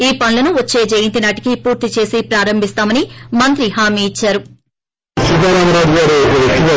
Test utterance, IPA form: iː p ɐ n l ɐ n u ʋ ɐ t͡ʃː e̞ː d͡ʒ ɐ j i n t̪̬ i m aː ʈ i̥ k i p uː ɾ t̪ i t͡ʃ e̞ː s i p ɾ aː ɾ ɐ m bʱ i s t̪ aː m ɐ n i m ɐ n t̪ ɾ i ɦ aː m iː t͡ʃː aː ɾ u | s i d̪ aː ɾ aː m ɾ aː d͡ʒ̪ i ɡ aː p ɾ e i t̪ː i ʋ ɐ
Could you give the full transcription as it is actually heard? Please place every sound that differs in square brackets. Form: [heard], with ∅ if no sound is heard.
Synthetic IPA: iː p ɐ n l ɐ n u ʋ ɐ t͡ʃː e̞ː d͡ʒ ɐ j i n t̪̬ i [n] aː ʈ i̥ k i p uː ɾ t̪ i t͡ʃ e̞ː s i p ɾ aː ɾ ɐ m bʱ i s t̪ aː m ɐ n i m ɐ n t̪ ɾ i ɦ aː m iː t͡ʃː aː ɾ u | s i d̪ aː ɾ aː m ɾ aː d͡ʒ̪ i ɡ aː [∅] ɾ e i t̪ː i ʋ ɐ